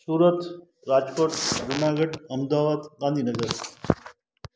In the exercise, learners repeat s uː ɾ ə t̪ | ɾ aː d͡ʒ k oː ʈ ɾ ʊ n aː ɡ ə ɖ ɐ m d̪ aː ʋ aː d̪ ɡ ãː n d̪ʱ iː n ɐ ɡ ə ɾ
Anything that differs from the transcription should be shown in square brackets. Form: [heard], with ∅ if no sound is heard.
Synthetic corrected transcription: s uː ɾ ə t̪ | ɾ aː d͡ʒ k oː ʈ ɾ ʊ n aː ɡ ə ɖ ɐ m d̪ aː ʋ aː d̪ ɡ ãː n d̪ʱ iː n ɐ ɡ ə ɾ

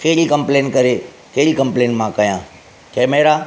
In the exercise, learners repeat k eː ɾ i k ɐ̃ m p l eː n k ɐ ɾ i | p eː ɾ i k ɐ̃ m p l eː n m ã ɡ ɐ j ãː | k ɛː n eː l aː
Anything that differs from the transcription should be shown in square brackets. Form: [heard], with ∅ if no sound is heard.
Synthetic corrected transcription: k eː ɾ i k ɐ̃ m p l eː n k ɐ ɾ [e] | [k] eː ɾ i k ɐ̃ m p l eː n m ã [k] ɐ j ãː | k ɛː [m] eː [ɾ] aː

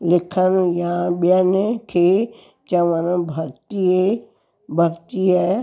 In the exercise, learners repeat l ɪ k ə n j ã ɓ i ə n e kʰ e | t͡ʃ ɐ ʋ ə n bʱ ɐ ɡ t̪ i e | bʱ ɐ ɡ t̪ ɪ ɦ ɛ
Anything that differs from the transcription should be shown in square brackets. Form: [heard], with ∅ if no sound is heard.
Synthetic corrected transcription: l ɪ [kʰ] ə n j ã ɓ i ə n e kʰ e | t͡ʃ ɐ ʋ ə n bʱ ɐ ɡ t̪ i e | bʱ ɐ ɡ t̪ [i] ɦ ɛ

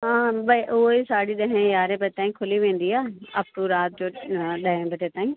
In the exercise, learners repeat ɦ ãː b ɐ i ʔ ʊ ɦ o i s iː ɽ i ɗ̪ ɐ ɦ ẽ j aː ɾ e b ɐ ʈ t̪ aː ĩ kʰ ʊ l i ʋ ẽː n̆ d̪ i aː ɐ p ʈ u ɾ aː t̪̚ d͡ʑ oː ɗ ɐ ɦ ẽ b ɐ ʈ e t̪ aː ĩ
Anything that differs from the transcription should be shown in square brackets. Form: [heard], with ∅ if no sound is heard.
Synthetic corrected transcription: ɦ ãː b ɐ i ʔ ʊ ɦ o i s [aː] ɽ i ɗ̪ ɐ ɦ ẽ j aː ɾ e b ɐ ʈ t̪ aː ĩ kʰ ʊ l i ʋ ẽː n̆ d̪ i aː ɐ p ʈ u ɾ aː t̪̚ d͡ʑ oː ɗ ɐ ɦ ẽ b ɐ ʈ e t̪ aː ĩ

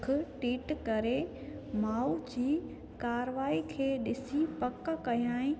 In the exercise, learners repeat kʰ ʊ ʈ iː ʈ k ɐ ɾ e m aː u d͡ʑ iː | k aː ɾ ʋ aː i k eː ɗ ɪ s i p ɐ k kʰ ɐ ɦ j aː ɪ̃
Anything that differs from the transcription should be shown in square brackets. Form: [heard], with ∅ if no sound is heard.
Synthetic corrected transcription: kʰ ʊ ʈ iː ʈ k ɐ ɾ e m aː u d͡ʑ iː | k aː ɾ ʋ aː i [kʰ] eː ɗ ɪ s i p ɐ k [k] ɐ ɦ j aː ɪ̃

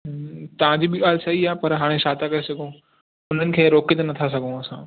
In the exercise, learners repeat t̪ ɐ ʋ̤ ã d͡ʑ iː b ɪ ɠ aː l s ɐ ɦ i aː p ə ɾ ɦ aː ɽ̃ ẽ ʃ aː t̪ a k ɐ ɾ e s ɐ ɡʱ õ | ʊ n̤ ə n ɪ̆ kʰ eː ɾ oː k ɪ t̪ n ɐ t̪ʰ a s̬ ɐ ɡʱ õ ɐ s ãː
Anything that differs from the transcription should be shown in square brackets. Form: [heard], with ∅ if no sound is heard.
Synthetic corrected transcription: t̪ ɐ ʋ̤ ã d͡ʑ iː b ɪ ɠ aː l s ɐ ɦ i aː p [ɐ] ɾ ɦ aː ɽ̃ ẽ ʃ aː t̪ a k ɐ ɾ e s ɐ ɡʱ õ | ʊ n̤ ə n ɪ̆ kʰ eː ɾ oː k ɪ t̪ n ɐ t̪ʰ a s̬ ɐ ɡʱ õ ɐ s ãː

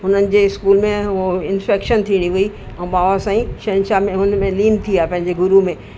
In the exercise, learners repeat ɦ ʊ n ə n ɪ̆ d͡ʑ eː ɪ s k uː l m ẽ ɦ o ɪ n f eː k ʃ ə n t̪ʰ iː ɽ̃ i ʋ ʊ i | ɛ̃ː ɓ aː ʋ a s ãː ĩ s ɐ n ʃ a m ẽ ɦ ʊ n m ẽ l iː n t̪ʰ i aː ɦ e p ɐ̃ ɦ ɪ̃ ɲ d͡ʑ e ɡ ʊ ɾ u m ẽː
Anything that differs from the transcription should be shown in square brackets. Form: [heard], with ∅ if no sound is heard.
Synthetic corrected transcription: ɦ ʊ n ə n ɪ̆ d͡ʑ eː ɪ s k uː l m ẽ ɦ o ɪ n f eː k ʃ ə n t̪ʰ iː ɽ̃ i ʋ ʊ i | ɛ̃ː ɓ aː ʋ a s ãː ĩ [ʃ] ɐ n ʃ a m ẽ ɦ ʊ n m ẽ l iː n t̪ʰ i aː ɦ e p ɐ̃ ɦ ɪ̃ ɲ d͡ʑ e ɡ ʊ ɾ u m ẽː

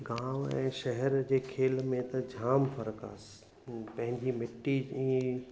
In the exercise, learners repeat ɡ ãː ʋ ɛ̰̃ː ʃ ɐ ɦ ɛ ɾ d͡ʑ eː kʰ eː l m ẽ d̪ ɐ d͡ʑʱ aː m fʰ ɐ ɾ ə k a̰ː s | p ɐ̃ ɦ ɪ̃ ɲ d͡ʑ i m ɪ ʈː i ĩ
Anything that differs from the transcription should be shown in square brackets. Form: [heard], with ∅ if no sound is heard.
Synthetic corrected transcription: ɡ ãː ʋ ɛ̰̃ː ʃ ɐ ɦ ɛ ɾ d͡ʑ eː kʰ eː l m ẽ [t̪] ɐ d͡ʑʱ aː m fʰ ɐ ɾ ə k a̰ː s | p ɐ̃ ɦ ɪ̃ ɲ d͡ʑ i m ɪ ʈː i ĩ

